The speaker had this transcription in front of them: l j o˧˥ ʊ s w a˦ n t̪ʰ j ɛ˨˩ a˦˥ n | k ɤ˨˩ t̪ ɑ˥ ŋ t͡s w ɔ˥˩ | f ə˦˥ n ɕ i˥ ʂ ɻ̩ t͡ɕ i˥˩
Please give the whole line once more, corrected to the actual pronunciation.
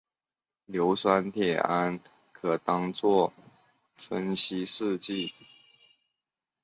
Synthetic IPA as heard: l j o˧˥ ʊ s w a˦ n t̪ʰ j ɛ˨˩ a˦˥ n | kʰ ɤ˨˩ t̪ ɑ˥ ŋ t͡s w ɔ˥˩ | f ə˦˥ n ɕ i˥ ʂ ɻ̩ t͡ɕ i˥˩

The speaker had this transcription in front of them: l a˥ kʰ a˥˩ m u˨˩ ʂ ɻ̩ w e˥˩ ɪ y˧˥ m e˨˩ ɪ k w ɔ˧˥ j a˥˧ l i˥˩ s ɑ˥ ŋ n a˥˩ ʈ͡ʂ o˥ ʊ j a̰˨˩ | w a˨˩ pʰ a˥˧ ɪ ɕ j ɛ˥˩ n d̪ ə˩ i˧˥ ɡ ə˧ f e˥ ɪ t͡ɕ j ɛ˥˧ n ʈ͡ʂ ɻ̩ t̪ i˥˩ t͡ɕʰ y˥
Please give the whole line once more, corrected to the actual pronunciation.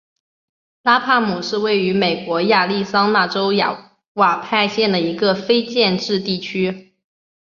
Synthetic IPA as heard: l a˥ pʰ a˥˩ m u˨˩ ʂ ɻ̩ w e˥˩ ɪ y˧˥ m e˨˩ ɪ k w ɔ˧˥ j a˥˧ l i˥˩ s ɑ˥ ŋ n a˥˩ ʈ͡ʂ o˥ ʊ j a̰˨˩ | w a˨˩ pʰ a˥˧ ɪ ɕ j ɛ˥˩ n d̪ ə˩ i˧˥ ɡ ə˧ f e˥ ɪ t͡ɕ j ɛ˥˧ n ʈ͡ʂ ɻ̩ t̪ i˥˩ t͡ɕʰ y˥

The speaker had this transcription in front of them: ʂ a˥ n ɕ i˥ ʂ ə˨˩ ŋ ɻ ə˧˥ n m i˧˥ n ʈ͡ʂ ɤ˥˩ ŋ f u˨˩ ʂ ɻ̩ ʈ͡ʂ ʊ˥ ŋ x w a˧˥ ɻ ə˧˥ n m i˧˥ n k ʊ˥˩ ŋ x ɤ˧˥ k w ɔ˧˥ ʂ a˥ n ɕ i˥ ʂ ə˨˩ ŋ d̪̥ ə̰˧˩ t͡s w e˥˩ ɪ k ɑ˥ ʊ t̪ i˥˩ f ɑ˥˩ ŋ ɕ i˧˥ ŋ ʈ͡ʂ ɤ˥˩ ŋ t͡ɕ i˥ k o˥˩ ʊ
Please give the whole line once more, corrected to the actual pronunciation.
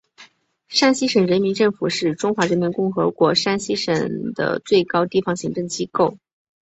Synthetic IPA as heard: ʂ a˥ n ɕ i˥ ʂ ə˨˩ ŋ ɻ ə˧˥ n m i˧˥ n ʈ͡ʂ ɤ˥˩ ŋ f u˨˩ ʂ ɻ̩ ʈ͡ʂ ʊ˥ ŋ x w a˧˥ ɻ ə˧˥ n m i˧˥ n k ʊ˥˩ ŋ x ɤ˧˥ k w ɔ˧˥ ʂ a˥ n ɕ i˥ ʂ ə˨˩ ŋ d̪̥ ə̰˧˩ t͡s w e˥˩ ɪ k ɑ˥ ʊ t̪ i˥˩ f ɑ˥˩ ŋ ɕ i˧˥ ŋ ʈ͡ʂ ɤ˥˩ ŋ t͡ɕ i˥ k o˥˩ ʊ

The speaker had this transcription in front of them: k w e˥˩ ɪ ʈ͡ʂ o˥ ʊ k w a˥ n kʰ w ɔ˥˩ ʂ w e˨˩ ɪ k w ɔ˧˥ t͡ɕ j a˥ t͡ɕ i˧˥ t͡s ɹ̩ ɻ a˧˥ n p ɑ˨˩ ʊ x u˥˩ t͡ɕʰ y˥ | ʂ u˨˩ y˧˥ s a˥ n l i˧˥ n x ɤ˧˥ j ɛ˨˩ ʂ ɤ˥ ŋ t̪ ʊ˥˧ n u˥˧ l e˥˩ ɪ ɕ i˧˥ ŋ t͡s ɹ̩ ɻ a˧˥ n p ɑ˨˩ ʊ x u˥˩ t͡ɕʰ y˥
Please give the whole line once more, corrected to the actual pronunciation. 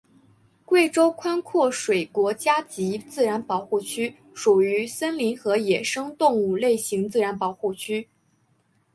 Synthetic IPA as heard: k w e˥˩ ɪ ʈ͡ʂ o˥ ʊ kʰ w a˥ n kʰ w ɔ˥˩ ʂ w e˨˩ ɪ k w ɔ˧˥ t͡ɕ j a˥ t͡ɕ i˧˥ t͡s ɹ̩ ɻ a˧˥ n p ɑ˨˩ ʊ x u˥˩ t͡ɕʰ y˥ | ʂ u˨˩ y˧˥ s ə˥ n l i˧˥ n x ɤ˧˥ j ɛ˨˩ ʂ ɤ˥ ŋ t̪ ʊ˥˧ ŋ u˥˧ l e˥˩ ɪ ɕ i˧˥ ŋ t͡s ɹ̩ ɻ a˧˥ n p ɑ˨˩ ʊ x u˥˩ t͡ɕʰ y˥

